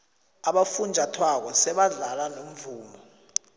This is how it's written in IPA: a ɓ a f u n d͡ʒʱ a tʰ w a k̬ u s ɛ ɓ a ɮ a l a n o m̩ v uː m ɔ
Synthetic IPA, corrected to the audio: a ɓ a f u n d͡ʒʱ a tʰ w a k̬ ɔ s ɛ ɓ a ɮ a l a n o m̩ v uː m ɔ